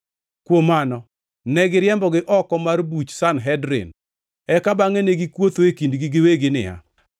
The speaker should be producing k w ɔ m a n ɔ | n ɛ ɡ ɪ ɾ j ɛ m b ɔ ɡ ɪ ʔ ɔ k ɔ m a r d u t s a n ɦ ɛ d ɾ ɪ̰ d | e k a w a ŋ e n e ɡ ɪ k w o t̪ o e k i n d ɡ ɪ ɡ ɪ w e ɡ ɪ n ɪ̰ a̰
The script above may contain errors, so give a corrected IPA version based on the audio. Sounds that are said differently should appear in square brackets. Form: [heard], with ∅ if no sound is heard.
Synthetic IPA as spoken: k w [o] m a n ɔ | n ɛ ɡ ɪ ɾ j ɛ m b ɔ ɡ ɪ ʔ ɔ k ɔ m a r [b] u [t͡ʃ] s a n ɦ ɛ d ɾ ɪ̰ [n] | [ɛ] k a [b] a ŋ e n e ɡ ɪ k w o t̪ o e k i n d ɡ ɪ ɡ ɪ w e ɡ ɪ n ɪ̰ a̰